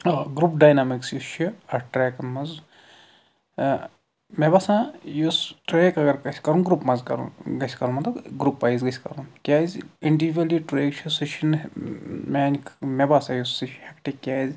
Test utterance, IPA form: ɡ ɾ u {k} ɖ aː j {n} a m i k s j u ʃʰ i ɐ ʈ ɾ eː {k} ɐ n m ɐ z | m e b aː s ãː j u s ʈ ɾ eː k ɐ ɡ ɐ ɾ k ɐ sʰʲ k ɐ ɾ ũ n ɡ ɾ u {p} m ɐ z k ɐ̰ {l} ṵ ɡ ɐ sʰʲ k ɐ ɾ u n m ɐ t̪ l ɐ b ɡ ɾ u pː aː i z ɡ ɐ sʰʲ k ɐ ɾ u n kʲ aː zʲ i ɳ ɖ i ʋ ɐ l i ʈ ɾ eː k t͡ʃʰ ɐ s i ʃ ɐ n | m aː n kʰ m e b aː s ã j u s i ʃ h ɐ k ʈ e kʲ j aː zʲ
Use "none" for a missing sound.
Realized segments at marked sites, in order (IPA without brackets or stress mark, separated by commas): p, n, k, p, ɾ